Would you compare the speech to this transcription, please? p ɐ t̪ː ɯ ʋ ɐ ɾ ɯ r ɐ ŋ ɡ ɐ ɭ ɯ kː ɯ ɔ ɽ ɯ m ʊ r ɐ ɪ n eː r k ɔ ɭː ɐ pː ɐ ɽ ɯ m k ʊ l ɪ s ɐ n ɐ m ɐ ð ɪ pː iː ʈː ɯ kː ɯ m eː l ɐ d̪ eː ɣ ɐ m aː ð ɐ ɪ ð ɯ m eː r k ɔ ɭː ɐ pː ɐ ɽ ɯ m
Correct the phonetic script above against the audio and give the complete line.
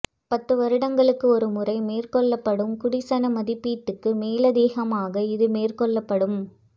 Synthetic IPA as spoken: p ɐ t̪ː ɯ ʋ ɐ ɾ ɯ ɽ ɐ ŋ ɡ ɐ ɭ ɯ kː ɯ ɔ ɾ ɯ m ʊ r ɐ ɪ m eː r k ɔ ɭː ɐ pː ɐ ɽ ɯ m k ʊ ɽ ɪ s ɐ n ɐ m ɐ ð ɪ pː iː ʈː ɯ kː ɯ m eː l ɐ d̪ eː ɣ ɐ m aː ɣ ɐ ɪ ð ɯ m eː r k ɔ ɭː ɐ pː ɐ ɽ ɯ m